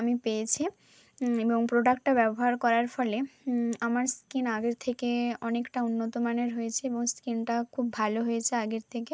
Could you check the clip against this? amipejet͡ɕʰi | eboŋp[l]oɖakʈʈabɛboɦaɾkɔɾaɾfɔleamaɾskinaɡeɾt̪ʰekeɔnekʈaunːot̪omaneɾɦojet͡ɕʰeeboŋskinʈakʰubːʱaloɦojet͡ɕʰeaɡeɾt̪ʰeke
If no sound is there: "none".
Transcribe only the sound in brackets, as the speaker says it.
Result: ɾ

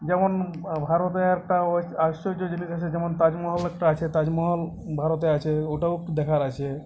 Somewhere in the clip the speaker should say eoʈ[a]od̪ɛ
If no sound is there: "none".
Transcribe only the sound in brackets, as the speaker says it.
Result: a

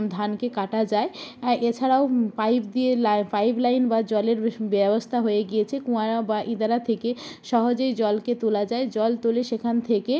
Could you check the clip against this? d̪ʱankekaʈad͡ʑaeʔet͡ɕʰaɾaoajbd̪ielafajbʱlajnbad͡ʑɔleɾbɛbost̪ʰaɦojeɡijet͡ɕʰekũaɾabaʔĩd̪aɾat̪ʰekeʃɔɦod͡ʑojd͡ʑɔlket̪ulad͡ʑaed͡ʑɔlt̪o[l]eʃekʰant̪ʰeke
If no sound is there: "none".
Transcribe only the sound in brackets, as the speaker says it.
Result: l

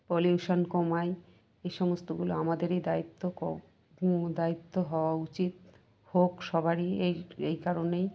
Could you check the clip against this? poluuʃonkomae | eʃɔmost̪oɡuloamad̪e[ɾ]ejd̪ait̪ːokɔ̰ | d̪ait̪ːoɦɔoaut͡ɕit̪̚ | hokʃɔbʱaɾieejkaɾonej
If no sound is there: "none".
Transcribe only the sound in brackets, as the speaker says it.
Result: ɾ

